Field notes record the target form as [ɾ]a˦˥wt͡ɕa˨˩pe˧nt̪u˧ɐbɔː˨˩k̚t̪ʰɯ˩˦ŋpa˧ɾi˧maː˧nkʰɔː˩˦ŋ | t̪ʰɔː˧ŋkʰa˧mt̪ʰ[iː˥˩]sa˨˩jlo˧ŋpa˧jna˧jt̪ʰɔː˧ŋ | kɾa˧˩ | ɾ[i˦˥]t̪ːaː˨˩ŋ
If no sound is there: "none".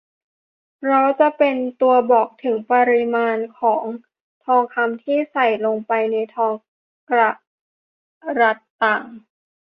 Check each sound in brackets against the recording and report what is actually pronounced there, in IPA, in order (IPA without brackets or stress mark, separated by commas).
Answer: ɾ, iː˥˩, a˦˥